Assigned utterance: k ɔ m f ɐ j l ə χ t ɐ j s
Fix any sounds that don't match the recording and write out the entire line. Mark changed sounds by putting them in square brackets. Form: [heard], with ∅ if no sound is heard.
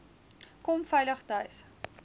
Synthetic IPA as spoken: k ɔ m f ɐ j l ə χ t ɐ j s